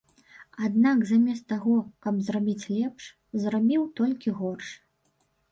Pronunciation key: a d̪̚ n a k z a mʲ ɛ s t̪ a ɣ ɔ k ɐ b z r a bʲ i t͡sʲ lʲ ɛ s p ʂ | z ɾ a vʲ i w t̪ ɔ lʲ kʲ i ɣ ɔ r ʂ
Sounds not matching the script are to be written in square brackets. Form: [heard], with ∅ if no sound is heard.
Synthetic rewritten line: a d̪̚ n a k z a mʲ ɛ s t̪ a ɣ ɔ k ɐ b z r a bʲ i t͡sʲ lʲ ɛ [∅] p ʂ | z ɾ a [bʲ] i w t̪ ɔ lʲ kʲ i ɣ ɔ r ʂ